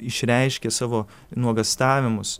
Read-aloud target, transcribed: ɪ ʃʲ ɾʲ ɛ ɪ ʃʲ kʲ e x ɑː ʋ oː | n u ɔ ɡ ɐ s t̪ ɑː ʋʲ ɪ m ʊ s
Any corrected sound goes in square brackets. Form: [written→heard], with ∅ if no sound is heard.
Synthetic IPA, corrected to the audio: ɪ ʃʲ ɾʲ ɛ ɪ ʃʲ kʲ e [x→s] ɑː ʋ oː | n u ɔ ɡ ɐ s t̪ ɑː ʋʲ ɪ m ʊ s